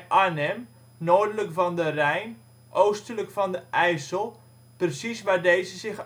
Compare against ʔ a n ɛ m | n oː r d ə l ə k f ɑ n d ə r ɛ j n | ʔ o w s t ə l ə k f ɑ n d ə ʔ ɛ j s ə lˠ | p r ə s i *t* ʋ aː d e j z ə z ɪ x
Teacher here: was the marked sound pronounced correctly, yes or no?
no